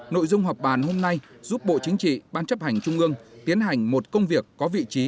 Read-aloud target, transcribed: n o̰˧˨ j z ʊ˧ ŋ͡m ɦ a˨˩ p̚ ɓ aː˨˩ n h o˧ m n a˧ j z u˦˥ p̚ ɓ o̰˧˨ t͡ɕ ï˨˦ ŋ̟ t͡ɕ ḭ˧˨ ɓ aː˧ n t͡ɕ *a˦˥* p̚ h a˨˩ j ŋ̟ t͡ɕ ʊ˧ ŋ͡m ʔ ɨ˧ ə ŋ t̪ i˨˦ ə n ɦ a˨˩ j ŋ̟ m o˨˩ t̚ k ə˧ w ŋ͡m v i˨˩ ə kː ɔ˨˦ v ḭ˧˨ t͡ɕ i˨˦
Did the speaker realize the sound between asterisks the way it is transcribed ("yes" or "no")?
no